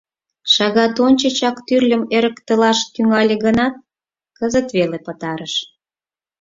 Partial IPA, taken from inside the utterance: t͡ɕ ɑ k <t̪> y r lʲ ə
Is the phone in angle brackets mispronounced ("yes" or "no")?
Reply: no